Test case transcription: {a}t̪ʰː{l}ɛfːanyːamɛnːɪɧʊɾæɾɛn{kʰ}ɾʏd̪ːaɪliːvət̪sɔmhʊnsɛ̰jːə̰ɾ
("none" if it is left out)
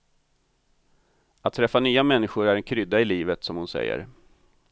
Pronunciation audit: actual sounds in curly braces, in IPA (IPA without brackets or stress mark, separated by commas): a, ɾ, kʰ